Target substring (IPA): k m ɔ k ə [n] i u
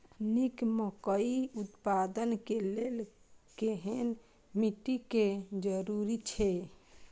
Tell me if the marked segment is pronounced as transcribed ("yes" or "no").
no